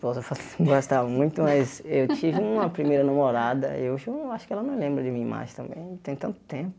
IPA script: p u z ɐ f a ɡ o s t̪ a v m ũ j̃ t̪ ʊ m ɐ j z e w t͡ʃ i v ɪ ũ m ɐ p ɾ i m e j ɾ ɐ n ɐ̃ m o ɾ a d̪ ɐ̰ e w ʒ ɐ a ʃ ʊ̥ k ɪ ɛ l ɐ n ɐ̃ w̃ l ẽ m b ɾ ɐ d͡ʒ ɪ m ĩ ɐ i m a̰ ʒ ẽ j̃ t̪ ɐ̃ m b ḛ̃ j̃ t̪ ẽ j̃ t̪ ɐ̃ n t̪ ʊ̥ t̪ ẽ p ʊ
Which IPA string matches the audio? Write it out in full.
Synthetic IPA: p o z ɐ f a ɡ o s t̪ a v m ũ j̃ t̪ ʊ m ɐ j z e w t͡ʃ i v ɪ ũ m ɐ p ɾ i m e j ɾ ɐ n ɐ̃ m o ɾ a d̪ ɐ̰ e w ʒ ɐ a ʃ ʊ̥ k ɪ ɛ l ɐ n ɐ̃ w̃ l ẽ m b ɾ ɐ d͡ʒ ɪ m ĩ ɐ i m a̰ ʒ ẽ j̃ t̪ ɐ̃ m b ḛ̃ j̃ t̪ ẽ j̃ t̪ ɐ̃ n t̪ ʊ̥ t̪ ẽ p ʊ